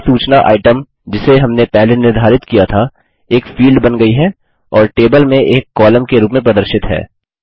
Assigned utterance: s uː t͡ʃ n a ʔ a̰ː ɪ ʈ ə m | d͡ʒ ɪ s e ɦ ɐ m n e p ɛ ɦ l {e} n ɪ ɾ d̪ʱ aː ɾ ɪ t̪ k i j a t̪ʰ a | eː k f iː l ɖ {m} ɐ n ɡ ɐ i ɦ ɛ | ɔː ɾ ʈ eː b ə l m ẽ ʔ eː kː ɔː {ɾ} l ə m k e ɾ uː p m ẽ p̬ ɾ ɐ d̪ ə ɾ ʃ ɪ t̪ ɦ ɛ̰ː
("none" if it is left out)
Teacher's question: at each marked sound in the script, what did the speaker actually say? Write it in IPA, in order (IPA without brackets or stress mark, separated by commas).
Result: e, b, none